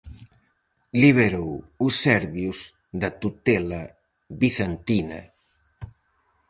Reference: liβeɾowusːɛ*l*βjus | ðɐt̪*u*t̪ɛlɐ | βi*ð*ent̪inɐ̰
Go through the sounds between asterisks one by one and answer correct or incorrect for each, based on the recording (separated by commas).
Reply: incorrect, correct, incorrect